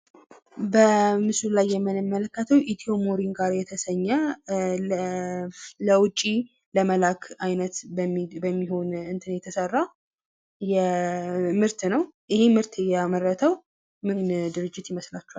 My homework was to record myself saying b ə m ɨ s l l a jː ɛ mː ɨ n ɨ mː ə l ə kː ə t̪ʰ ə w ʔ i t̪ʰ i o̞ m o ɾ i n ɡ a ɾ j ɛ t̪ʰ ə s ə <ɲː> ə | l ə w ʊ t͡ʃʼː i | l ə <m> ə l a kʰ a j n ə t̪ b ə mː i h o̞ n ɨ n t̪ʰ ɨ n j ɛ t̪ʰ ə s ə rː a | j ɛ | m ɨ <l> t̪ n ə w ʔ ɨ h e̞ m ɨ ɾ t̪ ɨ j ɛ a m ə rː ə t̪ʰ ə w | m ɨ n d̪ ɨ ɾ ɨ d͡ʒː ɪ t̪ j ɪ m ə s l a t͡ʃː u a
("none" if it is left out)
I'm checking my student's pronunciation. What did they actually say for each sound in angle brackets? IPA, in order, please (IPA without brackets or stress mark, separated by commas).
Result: ɲː, m, ɾ